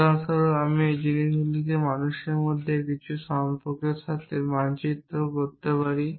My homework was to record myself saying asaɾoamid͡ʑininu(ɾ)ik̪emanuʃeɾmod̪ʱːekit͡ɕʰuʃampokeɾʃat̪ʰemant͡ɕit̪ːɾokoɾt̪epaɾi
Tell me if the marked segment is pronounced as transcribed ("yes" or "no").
no